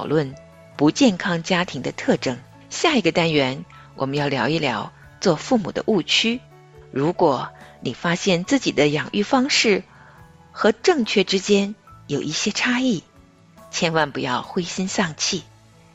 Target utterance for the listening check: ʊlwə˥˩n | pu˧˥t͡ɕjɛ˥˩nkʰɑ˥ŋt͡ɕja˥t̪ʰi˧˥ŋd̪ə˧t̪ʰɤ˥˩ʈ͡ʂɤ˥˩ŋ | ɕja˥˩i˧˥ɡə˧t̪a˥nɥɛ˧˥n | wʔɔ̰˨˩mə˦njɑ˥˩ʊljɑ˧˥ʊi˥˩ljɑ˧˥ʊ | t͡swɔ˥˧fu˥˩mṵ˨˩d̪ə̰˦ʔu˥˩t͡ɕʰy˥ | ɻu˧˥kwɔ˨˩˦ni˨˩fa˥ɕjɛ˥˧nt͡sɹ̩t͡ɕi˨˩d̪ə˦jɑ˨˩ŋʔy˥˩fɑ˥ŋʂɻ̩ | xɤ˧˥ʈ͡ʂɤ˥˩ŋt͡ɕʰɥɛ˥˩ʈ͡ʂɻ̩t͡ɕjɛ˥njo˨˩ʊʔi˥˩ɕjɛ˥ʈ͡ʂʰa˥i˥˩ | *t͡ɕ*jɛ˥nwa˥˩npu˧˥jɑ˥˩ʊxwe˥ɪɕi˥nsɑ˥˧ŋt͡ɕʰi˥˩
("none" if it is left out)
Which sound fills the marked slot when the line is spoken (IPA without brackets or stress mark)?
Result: t͡ɕʰ